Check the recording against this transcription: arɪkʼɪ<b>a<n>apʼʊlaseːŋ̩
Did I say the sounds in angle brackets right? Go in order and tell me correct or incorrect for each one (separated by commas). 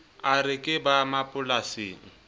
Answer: correct, incorrect